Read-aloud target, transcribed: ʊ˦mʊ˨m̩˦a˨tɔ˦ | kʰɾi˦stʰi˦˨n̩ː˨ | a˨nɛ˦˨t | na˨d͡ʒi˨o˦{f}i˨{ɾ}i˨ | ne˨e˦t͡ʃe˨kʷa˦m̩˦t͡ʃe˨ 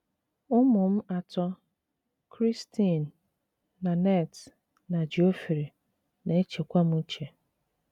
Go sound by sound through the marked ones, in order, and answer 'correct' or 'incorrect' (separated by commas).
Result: correct, correct